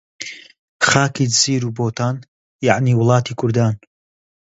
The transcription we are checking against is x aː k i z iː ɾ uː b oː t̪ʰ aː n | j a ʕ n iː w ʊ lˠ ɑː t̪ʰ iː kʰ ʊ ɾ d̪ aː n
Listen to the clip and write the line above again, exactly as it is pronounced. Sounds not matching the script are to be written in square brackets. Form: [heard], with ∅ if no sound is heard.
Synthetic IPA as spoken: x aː k i z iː ɾ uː b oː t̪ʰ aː n | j a ʕ n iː w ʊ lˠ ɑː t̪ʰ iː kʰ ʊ ɾ d̪ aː n